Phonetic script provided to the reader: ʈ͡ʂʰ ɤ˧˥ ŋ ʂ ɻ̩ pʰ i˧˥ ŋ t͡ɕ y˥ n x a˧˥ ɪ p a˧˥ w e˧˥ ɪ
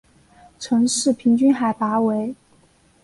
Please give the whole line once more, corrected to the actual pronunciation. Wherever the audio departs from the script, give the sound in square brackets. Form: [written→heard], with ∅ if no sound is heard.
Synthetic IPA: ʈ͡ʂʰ ɤ˧˥ ŋ ʂ ɻ̩ pʰ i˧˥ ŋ t͡ɕ y˥ n x [a˧˥→a˨˩] ɪ p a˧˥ w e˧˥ ɪ

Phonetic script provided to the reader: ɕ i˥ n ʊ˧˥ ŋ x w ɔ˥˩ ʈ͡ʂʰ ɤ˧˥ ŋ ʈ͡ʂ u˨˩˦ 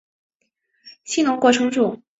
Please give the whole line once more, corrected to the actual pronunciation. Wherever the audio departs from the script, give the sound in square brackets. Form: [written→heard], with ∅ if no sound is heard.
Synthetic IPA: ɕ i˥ n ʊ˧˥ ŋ [x→k] w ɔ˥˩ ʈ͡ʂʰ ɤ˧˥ ŋ ʈ͡ʂ [u˨˩˦→u˥˩]

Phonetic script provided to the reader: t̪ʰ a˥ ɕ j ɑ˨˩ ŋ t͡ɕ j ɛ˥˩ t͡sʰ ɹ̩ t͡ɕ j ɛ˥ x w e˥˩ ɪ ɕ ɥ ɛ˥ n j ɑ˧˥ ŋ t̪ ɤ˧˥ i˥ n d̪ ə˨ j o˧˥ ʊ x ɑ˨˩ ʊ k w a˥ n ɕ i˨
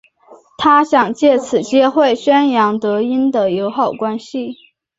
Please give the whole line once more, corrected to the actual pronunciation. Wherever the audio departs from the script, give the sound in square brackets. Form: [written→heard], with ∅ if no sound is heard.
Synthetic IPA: t̪ʰ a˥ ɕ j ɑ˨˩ ŋ t͡ɕ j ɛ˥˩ t͡sʰ ɹ̩ t͡ɕ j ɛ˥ x w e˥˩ ɪ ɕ ɥ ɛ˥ n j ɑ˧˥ ŋ t̪ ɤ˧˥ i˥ n d̪ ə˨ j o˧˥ ʊ x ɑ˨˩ ʊ k w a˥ n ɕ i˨

